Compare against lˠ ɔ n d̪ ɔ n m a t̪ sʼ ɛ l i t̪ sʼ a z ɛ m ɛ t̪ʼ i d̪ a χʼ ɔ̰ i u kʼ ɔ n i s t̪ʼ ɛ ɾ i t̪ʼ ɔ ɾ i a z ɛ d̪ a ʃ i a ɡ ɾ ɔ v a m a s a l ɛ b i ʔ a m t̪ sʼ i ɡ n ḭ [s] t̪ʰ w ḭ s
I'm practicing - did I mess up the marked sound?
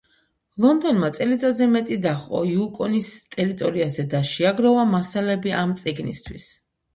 no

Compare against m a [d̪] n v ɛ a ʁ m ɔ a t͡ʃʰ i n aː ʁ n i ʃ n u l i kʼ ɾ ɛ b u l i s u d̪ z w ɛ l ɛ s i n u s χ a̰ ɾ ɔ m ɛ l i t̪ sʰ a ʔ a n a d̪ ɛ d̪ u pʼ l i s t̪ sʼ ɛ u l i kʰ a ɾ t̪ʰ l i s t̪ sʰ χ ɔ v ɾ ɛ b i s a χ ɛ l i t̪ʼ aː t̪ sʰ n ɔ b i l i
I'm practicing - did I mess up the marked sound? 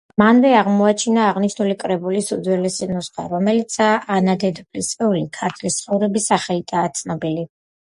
yes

